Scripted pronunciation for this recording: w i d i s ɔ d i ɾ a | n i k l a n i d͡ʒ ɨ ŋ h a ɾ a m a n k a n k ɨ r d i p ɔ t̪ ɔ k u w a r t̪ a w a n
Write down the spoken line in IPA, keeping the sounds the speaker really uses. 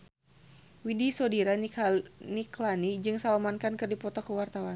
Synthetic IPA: w i d i s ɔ d i ɾ a | n i k l a n i d͡ʒ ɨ ŋ s a l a m a n k a n k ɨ r d i p ɔ t̪ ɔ k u w a r t̪ a w a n